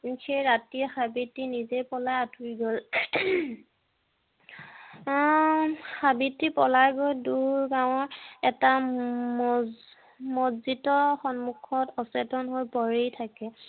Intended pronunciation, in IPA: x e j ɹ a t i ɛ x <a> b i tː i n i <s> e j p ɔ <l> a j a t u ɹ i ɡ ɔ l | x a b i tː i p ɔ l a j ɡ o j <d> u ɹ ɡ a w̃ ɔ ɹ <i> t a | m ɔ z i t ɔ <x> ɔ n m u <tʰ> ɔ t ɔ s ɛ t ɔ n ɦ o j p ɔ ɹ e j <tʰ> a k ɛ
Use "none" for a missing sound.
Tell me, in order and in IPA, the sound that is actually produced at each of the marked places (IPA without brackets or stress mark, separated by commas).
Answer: a, z, l, d, ɛ, x, kʰ, tʰ